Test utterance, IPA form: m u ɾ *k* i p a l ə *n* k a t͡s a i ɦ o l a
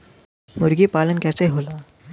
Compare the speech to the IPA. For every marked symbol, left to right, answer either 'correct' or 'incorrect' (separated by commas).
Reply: incorrect, correct